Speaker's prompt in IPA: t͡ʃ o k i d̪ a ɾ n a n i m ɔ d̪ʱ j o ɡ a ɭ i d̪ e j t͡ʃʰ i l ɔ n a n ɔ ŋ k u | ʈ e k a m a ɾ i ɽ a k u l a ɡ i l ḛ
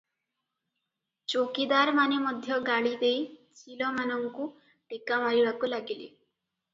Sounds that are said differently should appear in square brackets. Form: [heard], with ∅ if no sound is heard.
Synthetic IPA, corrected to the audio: t͡ʃ o k i d̪ a ɾ [m] a n [e] m ɔ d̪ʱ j [ɔ] ɡ a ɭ i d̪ e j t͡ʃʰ i l ɔ [m] a n ɔ ŋ k u | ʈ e k a m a ɾ i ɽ a k u l a ɡ i l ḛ